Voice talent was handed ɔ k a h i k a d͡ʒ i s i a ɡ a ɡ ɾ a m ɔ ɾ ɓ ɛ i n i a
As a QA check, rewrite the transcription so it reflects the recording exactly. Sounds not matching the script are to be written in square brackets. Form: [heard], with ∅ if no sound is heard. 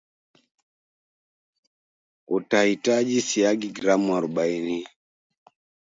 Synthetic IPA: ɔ [t] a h i [t] a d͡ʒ i s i a ɡ [i] ɡ ɾ a m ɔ ɾ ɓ [a] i n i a